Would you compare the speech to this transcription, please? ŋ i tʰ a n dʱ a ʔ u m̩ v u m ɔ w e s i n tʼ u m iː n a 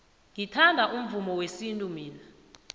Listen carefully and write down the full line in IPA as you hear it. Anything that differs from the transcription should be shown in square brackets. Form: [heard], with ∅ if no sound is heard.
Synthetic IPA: ŋ i tʰ a n dʱ a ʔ u m̩ v u m ɔ w e s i n tʼ u m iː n a